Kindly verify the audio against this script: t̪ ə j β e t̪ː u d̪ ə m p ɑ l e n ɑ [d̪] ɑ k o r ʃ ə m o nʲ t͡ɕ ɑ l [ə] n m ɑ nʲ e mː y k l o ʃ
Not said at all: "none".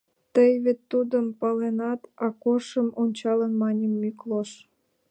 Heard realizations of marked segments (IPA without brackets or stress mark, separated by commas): t̪, ə